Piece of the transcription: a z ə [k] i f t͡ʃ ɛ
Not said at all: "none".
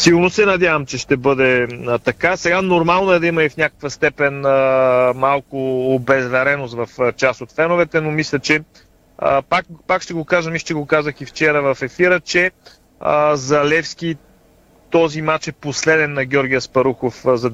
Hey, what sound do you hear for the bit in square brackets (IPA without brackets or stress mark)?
x